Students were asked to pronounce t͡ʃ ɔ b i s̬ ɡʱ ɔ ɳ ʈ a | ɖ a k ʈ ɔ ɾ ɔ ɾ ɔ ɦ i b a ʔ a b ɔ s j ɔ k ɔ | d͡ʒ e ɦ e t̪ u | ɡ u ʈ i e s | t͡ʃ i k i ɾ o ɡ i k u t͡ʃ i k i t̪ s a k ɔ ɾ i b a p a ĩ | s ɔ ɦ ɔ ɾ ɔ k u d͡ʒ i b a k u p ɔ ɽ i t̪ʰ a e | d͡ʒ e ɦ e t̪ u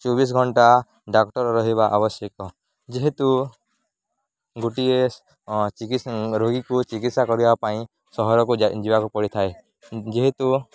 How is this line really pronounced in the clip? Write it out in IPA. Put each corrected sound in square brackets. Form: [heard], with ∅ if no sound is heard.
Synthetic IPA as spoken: t͡ʃ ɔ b i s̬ ɡʱ ɔ ɳ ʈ a | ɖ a k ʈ ɔ ɾ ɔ ɾ ɔ ɦ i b a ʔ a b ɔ s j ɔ k ɔ | d͡ʒ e ɦ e t̪ u | ɡ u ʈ i e s | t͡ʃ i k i ɾ o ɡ i k u t͡ʃ i k i t̪ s a k ɔ ɾ i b a p a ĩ | s ɔ ɦ ɔ ɾ ɔ k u d͡ʒ i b a k u p ɔ ɽ i t̪ʰ a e | d͡ʒ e ɦ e t̪ u